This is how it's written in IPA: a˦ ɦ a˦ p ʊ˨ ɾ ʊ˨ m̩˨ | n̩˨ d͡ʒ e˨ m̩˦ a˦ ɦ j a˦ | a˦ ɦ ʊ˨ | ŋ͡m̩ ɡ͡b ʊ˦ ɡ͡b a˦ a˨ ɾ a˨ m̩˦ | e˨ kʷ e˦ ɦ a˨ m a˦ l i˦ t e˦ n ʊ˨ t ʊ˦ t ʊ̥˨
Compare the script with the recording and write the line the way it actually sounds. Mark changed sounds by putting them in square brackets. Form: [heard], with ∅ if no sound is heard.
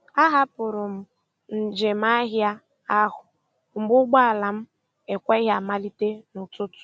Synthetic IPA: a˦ ɦ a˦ p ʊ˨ ɾ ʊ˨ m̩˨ | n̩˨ d͡ʒ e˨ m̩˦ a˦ ɦ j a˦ | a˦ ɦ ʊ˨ | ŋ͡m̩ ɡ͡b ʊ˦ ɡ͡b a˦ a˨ [l] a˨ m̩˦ | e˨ kʷ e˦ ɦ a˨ m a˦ l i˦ t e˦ n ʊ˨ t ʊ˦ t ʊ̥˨